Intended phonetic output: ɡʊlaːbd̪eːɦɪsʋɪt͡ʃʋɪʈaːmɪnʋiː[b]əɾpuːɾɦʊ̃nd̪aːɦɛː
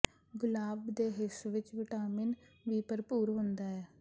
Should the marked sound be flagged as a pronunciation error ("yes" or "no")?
yes